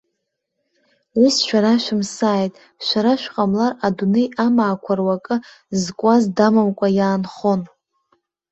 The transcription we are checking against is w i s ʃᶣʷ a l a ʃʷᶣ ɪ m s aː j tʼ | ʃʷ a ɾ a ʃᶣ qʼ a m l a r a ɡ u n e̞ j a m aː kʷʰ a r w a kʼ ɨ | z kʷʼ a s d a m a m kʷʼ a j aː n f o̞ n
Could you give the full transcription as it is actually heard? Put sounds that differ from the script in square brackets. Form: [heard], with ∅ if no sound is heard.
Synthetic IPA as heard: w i s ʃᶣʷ a [ɾ] a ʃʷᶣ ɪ m s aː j tʼ | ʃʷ a ɾ a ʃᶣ qʼ a m l a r a [d] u n e̞ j a m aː kʷʰ a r w a kʼ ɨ | z kʷʼ a [z] d a m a m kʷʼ a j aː n [χ] o̞ n